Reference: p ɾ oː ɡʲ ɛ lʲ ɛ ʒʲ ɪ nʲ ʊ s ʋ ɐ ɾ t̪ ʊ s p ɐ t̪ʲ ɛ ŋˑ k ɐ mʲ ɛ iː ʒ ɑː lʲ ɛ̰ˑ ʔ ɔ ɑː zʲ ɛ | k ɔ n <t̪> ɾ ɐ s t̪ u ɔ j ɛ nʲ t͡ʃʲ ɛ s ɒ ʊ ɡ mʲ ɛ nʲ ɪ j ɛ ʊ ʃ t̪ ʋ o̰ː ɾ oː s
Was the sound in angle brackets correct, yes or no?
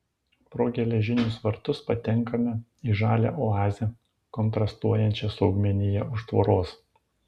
yes